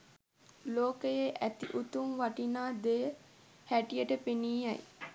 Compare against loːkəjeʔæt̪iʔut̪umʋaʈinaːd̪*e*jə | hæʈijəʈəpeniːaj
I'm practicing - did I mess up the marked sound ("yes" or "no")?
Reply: no